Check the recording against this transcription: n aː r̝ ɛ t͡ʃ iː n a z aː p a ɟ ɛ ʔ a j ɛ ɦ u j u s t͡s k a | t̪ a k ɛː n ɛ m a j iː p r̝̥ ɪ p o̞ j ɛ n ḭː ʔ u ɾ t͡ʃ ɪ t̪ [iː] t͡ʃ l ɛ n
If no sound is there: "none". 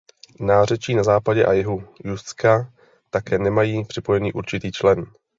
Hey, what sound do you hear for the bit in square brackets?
iː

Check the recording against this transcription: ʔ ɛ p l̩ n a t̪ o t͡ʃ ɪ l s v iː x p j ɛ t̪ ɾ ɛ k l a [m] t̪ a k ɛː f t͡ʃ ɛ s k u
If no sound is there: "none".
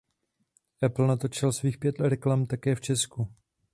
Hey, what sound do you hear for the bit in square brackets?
m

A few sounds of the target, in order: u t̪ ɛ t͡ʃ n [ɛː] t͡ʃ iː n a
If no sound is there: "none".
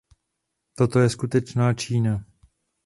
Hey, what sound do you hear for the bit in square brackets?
aː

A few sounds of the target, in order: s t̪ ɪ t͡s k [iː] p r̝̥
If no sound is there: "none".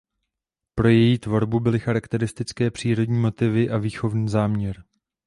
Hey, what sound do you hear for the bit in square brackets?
ɛː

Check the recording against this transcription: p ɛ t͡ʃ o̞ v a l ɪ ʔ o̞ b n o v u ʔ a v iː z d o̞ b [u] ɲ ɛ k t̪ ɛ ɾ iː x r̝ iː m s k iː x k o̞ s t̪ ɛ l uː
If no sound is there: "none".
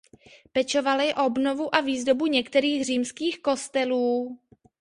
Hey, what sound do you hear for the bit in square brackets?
u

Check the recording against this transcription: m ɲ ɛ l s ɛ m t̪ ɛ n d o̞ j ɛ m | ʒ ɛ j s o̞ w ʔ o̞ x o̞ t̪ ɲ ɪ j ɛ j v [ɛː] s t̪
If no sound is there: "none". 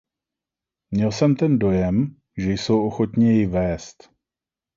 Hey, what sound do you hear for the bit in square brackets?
ɛː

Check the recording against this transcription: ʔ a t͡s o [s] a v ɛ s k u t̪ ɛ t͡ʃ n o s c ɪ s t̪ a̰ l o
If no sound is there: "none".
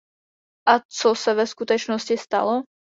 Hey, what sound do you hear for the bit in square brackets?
s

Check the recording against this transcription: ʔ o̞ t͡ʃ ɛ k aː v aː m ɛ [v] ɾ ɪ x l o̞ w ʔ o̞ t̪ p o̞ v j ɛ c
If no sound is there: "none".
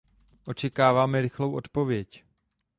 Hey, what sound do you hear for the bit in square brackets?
none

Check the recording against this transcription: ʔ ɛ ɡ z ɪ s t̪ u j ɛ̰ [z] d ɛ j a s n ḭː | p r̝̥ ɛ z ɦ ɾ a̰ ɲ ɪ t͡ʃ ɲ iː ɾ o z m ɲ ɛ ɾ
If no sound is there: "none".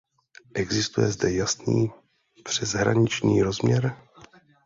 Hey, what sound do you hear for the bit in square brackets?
z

